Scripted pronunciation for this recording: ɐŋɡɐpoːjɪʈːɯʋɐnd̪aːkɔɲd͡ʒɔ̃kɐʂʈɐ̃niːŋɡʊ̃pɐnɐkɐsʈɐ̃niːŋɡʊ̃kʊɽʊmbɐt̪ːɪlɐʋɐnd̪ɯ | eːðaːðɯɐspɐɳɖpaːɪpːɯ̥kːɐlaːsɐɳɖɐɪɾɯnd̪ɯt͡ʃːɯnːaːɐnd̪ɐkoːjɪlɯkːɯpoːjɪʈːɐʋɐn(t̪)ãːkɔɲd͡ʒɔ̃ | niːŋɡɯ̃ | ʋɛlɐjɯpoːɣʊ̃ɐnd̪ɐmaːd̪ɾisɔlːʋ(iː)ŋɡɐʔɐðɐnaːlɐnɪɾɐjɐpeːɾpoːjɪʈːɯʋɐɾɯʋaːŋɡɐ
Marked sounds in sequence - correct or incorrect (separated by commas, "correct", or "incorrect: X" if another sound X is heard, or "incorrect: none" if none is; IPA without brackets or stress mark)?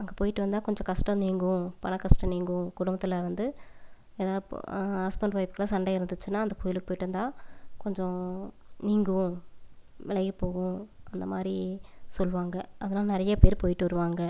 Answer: incorrect: d̪, incorrect: aː